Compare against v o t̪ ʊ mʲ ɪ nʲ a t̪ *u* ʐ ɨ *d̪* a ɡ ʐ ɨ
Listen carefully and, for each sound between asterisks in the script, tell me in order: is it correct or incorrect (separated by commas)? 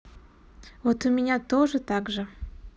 incorrect, incorrect